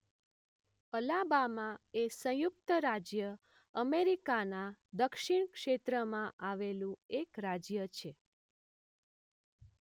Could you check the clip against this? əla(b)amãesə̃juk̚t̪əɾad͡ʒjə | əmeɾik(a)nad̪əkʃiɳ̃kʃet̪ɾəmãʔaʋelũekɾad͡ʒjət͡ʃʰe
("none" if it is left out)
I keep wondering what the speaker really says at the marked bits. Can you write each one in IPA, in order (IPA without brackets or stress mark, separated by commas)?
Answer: b, a